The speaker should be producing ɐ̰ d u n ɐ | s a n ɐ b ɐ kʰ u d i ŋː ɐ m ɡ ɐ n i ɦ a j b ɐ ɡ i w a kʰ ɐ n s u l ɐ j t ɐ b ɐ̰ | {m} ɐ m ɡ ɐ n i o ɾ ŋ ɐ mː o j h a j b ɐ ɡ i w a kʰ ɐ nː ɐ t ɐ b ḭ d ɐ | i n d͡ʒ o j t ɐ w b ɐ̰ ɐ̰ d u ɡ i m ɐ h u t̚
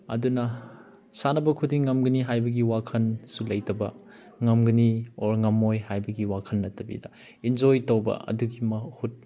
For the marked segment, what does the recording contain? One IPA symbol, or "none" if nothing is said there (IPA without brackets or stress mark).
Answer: ŋ